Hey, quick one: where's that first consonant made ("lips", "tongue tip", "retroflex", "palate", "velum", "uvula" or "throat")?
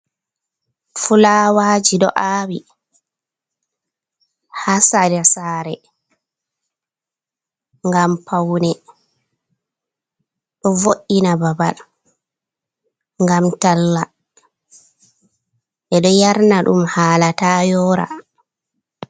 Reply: lips